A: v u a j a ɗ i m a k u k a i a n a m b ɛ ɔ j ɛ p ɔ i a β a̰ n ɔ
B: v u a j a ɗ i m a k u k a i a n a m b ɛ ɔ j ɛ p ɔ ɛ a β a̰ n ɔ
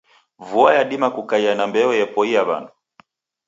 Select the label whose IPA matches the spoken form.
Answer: A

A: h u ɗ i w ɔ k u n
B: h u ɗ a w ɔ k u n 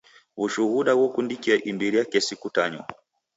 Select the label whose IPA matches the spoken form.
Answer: B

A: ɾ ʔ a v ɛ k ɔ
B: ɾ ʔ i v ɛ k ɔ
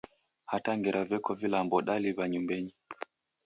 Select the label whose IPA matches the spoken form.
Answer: A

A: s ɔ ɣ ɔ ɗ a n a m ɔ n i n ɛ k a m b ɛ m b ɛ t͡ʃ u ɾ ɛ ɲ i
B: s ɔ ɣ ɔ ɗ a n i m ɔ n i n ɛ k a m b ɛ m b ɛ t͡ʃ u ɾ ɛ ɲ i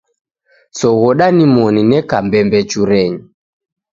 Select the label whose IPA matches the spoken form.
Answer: B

